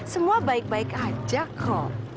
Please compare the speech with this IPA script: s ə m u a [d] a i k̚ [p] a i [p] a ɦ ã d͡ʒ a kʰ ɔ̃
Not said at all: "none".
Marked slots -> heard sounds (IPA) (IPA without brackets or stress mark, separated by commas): b, b, k